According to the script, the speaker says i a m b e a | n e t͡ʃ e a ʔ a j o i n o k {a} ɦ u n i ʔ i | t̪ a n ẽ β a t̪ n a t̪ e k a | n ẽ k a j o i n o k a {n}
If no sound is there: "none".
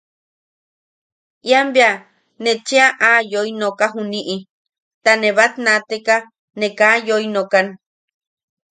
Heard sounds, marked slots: a, n

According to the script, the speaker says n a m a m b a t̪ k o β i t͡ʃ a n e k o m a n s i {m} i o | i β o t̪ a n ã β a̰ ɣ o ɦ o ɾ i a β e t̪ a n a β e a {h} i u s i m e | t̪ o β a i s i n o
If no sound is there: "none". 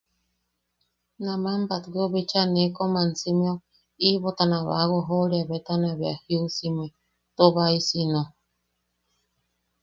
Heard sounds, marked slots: m, h

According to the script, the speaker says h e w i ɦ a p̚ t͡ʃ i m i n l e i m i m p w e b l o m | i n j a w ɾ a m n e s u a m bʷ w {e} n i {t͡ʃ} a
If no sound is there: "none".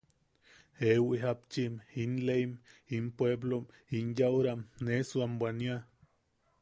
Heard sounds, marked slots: a, none

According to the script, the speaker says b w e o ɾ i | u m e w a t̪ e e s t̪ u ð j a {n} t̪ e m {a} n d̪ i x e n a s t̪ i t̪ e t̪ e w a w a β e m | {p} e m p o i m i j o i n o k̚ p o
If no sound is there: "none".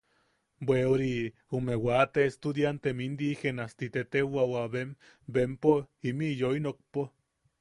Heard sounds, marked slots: n, i, b

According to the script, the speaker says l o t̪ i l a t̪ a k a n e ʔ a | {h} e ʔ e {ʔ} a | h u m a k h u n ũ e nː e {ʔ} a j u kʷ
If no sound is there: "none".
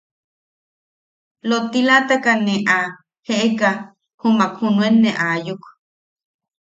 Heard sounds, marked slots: h, k, ʔ

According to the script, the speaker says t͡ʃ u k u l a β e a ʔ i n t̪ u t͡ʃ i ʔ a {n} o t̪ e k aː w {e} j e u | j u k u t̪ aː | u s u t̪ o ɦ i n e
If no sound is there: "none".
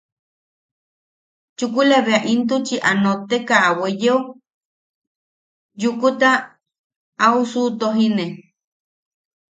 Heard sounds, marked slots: n, e

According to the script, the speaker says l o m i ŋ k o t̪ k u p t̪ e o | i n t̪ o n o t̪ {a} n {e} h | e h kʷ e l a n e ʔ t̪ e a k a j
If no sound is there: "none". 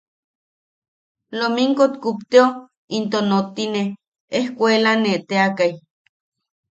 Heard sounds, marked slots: i, e

